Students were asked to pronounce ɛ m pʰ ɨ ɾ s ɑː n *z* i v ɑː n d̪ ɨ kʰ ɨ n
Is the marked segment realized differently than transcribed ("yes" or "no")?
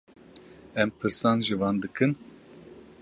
yes